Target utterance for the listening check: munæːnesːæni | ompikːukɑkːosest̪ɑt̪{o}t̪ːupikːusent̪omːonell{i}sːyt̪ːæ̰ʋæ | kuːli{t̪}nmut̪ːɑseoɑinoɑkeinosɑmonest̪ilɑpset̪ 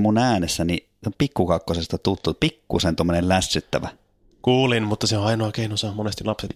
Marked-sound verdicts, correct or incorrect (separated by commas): incorrect, incorrect, incorrect